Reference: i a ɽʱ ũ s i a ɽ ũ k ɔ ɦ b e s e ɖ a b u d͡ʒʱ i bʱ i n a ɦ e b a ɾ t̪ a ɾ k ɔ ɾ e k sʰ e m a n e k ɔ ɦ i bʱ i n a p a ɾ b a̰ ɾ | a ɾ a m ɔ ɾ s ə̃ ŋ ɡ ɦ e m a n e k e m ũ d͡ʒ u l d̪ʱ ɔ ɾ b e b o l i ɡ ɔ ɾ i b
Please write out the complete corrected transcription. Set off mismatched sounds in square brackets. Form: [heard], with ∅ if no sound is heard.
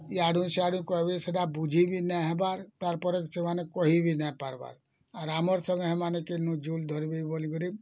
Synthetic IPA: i a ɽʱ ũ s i a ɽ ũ k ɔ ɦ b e s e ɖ a b u d͡ʒʱ i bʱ i n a ɦ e b a ɾ t̪ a ɾ [p] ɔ ɾ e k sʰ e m a n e k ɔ ɦ i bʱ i n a p a ɾ b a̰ ɾ | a ɾ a m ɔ ɾ s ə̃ ŋ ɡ ɦ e m a n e k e [n] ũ d͡ʒ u l d̪ʱ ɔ ɾ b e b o l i ɡ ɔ ɾ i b